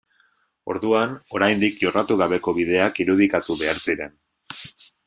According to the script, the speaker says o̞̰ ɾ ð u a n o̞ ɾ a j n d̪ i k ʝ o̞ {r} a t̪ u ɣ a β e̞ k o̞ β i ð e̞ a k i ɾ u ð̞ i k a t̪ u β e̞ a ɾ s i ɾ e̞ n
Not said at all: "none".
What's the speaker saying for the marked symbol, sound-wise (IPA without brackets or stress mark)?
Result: r